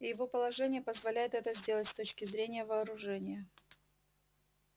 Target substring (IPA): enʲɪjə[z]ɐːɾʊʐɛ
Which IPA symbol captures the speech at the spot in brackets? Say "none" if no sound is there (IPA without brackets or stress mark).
v